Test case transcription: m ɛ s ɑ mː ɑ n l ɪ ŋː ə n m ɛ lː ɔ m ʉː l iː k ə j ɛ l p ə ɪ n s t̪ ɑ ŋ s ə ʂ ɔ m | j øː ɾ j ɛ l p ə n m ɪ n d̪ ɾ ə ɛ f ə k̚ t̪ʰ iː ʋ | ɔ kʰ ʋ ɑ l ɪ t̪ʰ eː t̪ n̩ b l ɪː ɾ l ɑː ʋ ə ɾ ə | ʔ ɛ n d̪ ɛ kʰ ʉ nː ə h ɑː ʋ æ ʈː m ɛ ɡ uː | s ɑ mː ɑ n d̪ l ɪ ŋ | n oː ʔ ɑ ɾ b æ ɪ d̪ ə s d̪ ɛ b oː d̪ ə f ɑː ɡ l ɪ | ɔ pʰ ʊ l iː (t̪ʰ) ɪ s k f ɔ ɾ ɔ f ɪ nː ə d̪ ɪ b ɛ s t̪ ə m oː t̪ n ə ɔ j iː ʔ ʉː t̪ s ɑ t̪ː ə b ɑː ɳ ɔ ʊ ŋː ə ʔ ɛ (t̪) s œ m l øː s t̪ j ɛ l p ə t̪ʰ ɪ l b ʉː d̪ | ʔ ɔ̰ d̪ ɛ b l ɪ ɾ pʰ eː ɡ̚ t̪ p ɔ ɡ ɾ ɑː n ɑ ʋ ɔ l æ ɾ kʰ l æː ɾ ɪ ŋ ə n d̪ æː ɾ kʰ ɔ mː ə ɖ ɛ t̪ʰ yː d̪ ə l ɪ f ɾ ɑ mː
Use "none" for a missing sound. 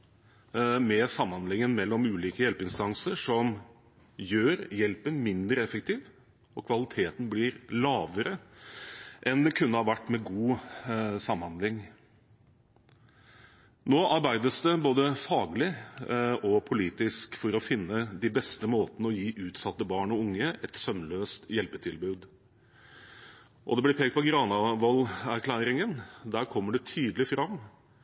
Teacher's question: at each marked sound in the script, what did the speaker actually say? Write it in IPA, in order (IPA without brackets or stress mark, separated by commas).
t̪, t̪